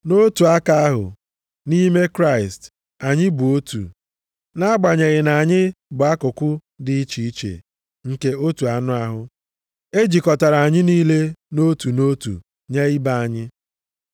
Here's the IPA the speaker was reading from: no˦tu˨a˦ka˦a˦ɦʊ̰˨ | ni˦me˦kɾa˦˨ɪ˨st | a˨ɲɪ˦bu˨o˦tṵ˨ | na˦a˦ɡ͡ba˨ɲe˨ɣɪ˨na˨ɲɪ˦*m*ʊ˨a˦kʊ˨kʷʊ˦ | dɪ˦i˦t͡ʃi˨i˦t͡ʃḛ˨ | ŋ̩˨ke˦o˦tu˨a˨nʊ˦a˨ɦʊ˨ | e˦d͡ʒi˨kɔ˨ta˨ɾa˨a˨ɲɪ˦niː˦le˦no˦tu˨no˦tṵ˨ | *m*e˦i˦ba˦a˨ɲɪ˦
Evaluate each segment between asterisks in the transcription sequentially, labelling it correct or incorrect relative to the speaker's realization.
incorrect: b, incorrect: ɲ

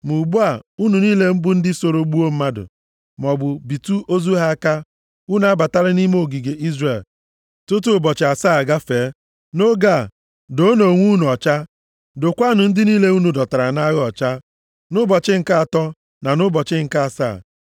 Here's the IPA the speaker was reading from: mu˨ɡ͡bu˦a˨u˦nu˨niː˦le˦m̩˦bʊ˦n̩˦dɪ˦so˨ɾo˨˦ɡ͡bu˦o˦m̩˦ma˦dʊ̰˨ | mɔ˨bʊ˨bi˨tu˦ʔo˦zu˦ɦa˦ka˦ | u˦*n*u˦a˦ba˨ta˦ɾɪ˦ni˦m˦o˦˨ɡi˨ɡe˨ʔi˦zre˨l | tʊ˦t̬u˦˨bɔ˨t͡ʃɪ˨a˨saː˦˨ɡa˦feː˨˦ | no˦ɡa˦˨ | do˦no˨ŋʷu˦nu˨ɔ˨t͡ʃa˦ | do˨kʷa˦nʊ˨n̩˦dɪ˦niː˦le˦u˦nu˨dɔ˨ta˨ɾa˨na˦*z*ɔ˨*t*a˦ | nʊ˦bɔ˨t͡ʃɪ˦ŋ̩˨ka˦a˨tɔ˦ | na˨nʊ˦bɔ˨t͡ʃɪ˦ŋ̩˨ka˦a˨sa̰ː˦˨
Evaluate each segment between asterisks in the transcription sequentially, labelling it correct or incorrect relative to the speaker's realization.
correct, incorrect: ɣ, incorrect: t͡ʃ

